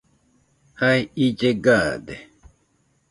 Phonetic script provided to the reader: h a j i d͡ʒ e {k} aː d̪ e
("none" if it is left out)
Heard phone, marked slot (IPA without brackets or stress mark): ɡ